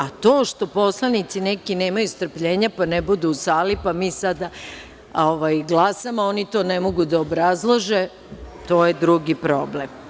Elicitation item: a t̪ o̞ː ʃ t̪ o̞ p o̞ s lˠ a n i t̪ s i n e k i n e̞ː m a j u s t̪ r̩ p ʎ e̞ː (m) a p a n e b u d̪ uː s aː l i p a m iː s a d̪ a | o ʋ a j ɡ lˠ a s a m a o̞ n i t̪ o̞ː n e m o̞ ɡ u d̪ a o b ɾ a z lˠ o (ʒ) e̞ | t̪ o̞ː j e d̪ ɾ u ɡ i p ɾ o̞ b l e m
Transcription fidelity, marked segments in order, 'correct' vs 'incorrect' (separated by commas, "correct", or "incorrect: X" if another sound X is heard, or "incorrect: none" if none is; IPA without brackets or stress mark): incorrect: ɲ, correct